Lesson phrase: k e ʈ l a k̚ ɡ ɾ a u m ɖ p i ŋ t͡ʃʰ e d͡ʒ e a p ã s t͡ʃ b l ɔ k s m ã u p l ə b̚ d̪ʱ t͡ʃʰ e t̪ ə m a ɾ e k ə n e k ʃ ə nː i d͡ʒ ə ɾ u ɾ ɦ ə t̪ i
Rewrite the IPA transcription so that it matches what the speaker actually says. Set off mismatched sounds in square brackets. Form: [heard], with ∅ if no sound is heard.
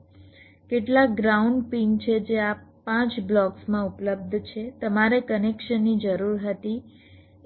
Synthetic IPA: k e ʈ l a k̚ ɡ ɾ a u [ɳ] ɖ p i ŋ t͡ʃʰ e d͡ʒ e a p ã [∅] t͡ʃ b l ɔ k s m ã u p l ə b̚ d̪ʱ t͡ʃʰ e t̪ ə m a ɾ e k ə n e k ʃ ə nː i d͡ʒ ə ɾ u ɾ ɦ ə t̪ i